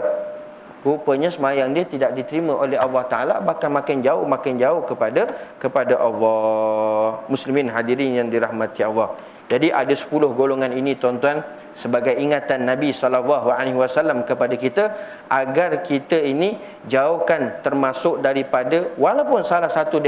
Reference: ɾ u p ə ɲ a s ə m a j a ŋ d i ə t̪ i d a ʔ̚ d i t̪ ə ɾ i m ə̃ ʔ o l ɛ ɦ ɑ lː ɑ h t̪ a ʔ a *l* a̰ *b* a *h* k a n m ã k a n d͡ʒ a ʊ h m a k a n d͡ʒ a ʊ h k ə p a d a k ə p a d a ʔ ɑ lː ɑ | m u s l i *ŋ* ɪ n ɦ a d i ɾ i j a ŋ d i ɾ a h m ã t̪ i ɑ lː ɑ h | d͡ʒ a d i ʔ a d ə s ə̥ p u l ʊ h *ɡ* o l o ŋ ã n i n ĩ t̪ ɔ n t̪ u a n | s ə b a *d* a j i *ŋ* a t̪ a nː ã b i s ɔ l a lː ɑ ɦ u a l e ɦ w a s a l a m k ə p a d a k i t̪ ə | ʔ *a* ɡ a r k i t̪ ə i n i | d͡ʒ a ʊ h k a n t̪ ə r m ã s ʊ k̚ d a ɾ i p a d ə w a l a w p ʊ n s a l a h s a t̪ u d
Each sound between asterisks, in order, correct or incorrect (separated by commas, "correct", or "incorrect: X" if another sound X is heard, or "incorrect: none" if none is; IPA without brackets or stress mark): correct, correct, correct, incorrect: m, correct, incorrect: ɡ, correct, correct